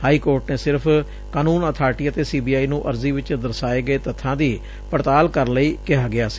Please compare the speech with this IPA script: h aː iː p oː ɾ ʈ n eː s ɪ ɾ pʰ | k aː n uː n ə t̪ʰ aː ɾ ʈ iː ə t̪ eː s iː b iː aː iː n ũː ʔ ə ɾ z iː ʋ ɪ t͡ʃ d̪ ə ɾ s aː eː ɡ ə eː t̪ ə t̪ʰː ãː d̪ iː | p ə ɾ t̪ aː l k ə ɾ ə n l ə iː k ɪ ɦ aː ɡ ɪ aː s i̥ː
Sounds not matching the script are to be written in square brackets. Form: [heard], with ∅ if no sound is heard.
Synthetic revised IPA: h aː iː [k] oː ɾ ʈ n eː s ɪ ɾ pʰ | k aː n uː n ə t̪ʰ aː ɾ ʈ iː ə t̪ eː s iː b iː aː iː n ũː ʔ ə ɾ z iː ʋ ɪ t͡ʃ d̪ ə ɾ s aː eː ɡ ə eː t̪ ə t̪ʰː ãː d̪ iː | p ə ɾ t̪ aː l k ə ɾ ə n l ə iː k ɪ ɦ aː ɡ ɪ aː s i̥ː